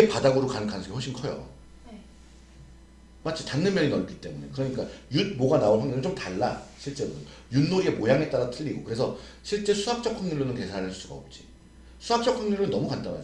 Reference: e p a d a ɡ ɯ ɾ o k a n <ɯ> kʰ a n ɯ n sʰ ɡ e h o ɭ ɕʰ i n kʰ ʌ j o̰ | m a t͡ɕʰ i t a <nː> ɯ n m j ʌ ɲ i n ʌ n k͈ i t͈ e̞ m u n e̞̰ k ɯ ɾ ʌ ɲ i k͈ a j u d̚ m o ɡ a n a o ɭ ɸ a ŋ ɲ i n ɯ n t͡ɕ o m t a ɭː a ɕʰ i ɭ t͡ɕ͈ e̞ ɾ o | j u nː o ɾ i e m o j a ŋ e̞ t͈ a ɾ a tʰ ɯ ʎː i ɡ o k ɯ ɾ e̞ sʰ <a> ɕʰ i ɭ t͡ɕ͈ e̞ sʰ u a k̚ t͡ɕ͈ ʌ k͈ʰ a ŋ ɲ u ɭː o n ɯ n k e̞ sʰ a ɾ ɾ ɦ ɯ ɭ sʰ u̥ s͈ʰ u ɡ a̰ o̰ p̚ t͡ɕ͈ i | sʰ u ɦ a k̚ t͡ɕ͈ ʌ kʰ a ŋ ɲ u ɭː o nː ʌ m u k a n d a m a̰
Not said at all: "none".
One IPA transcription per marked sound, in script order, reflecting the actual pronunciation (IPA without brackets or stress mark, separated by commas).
ɯ, nː, ʌ